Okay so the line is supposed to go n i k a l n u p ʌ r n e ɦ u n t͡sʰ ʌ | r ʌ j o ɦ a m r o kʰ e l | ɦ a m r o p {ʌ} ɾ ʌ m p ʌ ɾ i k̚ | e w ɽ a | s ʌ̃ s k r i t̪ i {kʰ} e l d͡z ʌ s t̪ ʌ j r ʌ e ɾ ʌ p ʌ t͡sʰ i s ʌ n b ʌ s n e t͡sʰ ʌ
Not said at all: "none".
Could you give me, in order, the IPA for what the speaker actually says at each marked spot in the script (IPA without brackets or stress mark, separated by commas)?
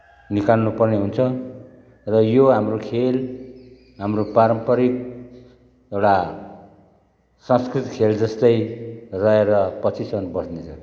a, kʰ